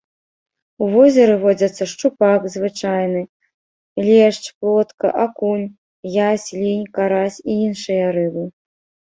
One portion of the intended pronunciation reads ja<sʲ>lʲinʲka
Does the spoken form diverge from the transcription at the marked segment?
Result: no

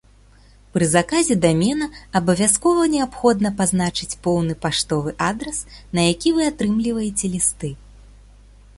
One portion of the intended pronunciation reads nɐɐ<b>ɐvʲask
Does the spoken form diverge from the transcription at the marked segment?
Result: no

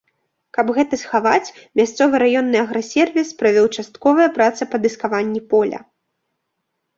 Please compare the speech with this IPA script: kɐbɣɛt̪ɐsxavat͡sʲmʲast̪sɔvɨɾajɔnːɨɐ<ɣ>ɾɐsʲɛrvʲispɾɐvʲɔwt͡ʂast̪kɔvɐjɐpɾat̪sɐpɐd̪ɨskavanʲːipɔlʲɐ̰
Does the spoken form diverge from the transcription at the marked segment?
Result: no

